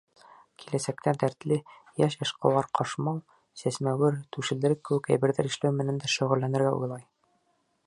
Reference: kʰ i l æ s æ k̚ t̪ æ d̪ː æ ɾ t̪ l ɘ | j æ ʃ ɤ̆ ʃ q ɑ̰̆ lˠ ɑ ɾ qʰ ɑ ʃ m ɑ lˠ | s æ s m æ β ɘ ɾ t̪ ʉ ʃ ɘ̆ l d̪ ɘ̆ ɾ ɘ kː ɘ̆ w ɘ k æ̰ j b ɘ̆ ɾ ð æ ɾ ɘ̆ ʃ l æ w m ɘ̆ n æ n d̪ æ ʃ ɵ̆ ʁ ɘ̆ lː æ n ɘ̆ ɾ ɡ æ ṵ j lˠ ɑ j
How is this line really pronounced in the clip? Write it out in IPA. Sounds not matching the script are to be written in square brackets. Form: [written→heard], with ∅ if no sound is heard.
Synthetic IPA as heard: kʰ i l æ s æ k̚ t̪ æ [d̪ː→d̪] æ ɾ t̪ l ɘ | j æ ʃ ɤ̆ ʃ q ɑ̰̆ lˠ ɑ ɾ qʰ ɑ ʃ m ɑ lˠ | s æ s m æ [β→w] ɘ ɾ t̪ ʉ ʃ ɘ̆ l d̪ ɘ̆ ɾ ɘ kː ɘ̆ w ɘ k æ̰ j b ɘ̆ ɾ ð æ ɾ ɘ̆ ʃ l æ w m ɘ̆ n æ n d̪ æ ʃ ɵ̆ ʁ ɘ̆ lː æ n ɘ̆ ɾ ɡ æ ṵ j lˠ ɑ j